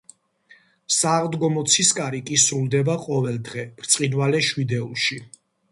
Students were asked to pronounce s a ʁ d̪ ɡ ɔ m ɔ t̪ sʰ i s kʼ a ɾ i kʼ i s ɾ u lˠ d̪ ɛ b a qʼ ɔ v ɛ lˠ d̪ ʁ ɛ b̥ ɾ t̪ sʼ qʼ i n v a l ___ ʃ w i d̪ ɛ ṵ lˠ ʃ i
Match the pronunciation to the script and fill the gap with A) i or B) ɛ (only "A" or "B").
B